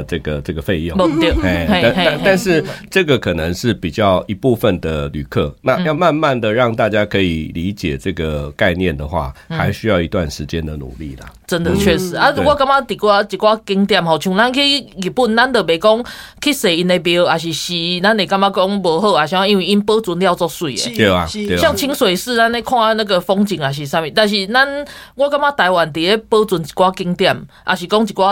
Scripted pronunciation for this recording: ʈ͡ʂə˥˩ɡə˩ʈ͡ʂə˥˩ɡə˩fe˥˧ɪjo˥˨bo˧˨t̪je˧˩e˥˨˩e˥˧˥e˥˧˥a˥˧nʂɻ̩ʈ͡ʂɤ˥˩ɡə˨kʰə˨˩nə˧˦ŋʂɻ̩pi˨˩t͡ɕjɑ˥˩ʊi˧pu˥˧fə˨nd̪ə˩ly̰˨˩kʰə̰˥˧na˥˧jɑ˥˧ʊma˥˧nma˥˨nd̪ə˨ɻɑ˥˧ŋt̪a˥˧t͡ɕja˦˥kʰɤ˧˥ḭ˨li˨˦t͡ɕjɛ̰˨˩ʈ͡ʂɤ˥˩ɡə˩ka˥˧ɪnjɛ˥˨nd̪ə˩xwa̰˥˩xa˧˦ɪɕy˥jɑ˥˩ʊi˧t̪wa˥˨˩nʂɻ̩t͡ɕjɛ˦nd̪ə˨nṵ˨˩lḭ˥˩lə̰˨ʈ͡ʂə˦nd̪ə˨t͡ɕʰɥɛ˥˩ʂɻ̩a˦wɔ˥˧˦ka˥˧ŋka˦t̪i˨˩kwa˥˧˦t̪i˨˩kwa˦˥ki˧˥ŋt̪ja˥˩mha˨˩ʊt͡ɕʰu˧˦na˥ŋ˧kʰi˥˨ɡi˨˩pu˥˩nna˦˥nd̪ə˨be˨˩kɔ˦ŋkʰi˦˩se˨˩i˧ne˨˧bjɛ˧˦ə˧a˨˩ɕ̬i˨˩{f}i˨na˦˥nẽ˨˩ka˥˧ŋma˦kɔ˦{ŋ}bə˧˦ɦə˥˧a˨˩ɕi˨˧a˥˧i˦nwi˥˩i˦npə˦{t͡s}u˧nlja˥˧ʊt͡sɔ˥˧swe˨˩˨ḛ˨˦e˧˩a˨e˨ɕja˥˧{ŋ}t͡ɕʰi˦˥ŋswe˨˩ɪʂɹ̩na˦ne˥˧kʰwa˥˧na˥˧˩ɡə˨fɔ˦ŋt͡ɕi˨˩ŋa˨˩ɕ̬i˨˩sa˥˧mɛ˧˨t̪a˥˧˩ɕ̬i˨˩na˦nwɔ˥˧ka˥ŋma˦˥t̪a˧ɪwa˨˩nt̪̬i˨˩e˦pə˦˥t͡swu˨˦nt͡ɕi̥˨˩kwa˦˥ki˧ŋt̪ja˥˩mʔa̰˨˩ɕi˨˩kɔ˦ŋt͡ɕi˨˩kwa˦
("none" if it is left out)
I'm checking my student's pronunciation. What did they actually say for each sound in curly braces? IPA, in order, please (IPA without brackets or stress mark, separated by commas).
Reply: ɕ, ŋ, t͡s, ŋ